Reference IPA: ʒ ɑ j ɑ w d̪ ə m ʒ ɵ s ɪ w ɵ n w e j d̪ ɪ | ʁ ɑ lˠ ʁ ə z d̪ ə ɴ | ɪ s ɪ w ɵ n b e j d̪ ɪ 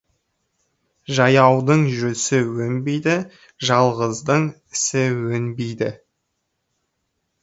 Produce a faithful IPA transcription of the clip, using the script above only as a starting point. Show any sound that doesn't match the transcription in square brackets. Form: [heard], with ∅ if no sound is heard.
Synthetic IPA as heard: ʒ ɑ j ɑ w d̪ ə [ɴ] ʒ ɵ s ɪ w ɵ n [b] e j d̪ ɪ | [ʒ] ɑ lˠ ʁ ə z d̪ ə ɴ | ɪ s ɪ w ɵ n b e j d̪ ɪ